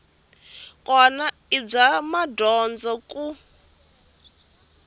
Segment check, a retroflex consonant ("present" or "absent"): present